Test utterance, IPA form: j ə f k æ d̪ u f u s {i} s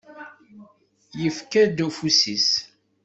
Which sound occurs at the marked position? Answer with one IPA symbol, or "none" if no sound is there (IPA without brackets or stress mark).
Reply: i